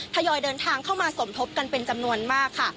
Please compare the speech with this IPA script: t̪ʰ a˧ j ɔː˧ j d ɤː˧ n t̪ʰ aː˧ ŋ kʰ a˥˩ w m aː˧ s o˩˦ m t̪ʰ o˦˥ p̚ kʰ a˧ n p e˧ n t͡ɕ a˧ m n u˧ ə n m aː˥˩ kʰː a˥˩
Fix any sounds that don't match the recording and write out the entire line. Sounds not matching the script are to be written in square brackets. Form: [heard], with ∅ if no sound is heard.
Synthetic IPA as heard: t̪ʰ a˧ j ɔː˧ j d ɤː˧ n t̪ʰ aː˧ ŋ kʰ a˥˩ w m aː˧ s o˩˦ m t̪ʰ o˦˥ p̚ [k] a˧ n p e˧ n t͡ɕ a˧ m n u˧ ə n m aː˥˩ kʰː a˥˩

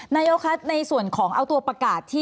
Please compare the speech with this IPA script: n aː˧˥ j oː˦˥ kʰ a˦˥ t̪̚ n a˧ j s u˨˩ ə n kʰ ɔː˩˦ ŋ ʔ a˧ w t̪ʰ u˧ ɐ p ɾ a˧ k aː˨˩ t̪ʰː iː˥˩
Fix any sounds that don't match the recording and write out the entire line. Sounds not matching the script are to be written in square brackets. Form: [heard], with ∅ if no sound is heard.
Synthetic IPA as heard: n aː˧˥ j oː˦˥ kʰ a˦˥ t̪̚ n a˧ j s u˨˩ ə n kʰ ɔː˩˦ ŋ ʔ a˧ w [t̪] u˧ ɐ p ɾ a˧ k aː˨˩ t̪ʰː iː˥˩

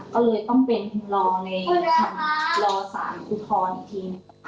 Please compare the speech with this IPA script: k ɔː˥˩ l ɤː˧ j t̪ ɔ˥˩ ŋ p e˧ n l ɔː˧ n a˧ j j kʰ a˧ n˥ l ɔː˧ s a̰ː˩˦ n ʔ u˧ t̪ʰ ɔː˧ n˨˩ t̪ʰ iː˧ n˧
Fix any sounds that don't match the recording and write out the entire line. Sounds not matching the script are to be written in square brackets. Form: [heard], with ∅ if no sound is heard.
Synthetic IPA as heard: k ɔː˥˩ l ɤː˧ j t̪ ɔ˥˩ ŋ p e˧ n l ɔː˧ n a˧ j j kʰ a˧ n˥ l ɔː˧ s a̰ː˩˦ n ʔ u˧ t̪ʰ ɔː˧ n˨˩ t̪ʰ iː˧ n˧

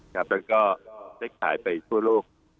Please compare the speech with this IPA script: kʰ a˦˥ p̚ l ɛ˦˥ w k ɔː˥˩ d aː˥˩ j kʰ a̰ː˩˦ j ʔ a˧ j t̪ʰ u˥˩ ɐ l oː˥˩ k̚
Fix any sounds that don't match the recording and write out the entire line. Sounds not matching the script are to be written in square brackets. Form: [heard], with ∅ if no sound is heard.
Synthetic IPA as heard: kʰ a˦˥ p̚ l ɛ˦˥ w k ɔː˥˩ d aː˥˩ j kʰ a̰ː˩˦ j [p] a˧ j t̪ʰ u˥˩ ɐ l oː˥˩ k̚

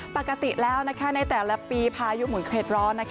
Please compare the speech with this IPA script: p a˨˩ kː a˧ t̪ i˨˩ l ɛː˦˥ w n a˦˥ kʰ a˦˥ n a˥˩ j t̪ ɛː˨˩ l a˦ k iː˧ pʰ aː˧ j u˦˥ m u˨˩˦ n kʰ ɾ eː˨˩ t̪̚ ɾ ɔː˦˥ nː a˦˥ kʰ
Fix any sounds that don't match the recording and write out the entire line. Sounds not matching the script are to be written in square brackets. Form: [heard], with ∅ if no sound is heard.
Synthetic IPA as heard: p a˨˩ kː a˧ t̪ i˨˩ l ɛː˦˥ w n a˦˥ kʰ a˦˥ n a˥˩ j t̪ ɛː˨˩ l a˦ [p] iː˧ pʰ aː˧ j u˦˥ m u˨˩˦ n kʰ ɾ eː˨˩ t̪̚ ɾ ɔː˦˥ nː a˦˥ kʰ

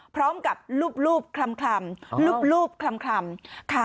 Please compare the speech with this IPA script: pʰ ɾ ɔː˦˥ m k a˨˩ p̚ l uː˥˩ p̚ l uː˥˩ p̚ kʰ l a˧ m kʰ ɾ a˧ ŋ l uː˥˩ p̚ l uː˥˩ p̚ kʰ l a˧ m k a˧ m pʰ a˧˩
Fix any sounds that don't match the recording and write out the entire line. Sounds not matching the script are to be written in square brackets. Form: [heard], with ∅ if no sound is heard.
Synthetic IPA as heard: pʰ ɾ ɔː˦˥ m k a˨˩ p̚ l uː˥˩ p̚ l uː˥˩ p̚ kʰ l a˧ m kʰ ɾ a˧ [m] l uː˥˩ p̚ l uː˥˩ p̚ kʰ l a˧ m [kʰ] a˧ m [kʰ] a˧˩

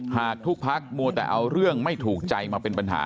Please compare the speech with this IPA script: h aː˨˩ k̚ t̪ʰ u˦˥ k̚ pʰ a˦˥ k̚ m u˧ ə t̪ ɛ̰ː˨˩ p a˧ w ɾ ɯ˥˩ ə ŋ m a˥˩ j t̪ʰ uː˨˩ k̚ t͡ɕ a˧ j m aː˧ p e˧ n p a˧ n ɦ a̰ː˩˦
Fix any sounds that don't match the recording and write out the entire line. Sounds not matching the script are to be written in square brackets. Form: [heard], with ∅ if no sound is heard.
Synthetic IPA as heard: h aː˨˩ k̚ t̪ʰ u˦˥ k̚ pʰ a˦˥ k̚ m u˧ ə t̪ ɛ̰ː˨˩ [ʔ] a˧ w ɾ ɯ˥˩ ə ŋ m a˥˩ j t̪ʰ uː˨˩ k̚ t͡ɕ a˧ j m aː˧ p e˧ n p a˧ n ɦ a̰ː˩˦

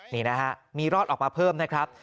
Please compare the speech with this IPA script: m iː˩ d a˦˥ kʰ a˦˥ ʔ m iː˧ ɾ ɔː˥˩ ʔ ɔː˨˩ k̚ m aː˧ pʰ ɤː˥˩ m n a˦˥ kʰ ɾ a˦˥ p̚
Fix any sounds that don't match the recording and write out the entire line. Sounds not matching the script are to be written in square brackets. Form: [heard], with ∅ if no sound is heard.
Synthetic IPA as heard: [n] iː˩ [n] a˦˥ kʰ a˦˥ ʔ m iː˧ ɾ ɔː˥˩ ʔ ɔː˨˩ k̚ m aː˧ pʰ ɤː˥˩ m n a˦˥ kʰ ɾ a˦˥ p̚

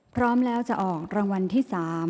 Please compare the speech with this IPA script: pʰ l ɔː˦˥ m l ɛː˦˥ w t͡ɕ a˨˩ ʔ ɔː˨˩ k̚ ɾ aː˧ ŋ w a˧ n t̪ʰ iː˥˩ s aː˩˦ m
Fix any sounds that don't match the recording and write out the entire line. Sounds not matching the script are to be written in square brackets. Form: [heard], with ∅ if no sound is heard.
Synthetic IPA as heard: pʰ [ɾ] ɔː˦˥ m l ɛː˦˥ w t͡ɕ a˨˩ ʔ ɔː˨˩ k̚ ɾ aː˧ ŋ w a˧ n t̪ʰ iː˥˩ s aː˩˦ m

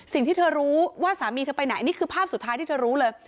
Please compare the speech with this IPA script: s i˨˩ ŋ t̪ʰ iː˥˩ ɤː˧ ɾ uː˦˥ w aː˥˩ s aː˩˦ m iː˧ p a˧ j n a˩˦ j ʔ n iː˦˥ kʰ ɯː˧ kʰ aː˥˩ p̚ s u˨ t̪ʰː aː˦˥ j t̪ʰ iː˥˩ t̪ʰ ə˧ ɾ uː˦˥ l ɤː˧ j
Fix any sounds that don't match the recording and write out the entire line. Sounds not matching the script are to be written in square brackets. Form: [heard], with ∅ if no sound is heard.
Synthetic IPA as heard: s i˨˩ ŋ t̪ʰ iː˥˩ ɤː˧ ɾ uː˦˥ w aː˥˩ s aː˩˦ m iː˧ p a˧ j n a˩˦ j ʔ n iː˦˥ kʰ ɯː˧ [pʰ] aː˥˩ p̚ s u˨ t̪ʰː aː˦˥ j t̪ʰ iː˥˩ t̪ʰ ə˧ ɾ uː˦˥ l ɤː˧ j

